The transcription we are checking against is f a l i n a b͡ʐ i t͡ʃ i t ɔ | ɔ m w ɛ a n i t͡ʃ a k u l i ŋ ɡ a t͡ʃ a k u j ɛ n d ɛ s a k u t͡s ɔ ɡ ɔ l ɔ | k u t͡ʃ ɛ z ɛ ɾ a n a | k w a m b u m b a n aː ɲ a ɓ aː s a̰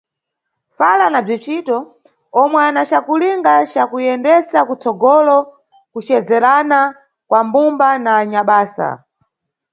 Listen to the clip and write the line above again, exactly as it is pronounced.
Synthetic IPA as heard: f a l a n a b͡ʐ i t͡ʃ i t ɔ | ɔ m w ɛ a n a t͡ʃ a k u l i ŋ ɡ a t͡ʃ a k u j ɛ n d ɛ s a k u t͡s ɔ ɡ ɔ l ɔ | k u t͡ʃ ɛ z ɛ ɾ a n a | k w a m b u m b a n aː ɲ a ɓ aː s a̰